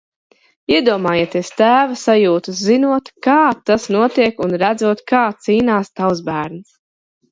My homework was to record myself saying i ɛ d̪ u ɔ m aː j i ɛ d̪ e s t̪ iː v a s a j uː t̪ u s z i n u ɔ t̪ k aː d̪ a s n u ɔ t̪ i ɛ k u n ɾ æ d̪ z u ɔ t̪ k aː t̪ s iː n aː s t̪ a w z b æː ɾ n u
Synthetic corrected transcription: i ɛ d̪ u ɔ m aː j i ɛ t̪ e s t̪ æː v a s a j uː t̪ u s z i n u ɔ t̪ k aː t̪ a s n u ɔ t̪ i ɛ k u n ɾ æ d̪ z u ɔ t̪ k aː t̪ s iː n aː s t̪ a w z b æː ɾ n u